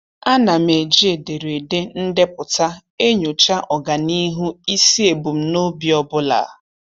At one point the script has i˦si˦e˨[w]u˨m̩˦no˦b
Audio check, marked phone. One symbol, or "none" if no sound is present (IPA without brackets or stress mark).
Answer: b